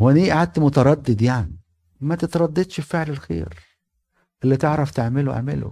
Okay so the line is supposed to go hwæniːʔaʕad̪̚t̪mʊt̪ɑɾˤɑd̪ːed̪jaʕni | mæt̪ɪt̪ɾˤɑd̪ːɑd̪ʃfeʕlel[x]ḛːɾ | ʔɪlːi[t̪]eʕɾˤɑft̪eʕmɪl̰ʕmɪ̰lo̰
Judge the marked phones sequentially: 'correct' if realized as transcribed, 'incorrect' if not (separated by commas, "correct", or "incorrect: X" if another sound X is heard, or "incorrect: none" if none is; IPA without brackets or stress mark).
correct, correct